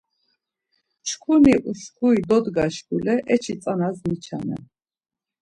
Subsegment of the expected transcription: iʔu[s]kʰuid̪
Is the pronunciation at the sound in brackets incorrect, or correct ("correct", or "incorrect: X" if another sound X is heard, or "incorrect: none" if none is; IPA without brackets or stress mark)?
incorrect: ʃ